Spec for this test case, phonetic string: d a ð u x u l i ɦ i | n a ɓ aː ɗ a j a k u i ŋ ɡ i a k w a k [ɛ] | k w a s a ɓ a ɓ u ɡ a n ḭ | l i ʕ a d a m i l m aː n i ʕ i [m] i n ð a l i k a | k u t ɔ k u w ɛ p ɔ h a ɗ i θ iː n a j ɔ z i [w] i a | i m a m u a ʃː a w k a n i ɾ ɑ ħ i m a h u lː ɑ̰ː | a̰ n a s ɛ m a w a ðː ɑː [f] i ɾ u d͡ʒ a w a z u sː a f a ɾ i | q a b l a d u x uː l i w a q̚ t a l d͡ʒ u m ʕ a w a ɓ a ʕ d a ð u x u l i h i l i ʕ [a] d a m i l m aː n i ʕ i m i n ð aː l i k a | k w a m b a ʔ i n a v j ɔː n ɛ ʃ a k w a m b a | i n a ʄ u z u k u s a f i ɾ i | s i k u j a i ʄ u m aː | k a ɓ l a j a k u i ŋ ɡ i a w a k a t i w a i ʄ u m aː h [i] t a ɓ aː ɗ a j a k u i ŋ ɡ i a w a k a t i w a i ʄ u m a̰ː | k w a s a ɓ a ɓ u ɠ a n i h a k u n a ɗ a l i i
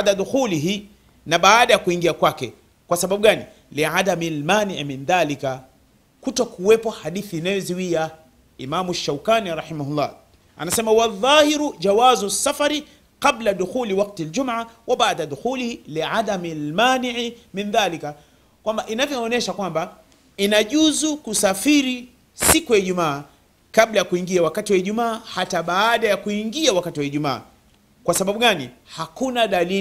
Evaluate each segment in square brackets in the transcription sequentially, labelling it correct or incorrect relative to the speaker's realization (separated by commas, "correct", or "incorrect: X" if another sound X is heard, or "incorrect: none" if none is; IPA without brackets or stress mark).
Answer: correct, correct, correct, incorrect: h, correct, incorrect: a